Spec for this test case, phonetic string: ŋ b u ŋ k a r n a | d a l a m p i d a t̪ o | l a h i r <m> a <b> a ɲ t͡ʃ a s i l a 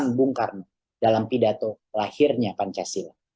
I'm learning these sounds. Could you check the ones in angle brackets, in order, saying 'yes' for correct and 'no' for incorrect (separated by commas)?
no, no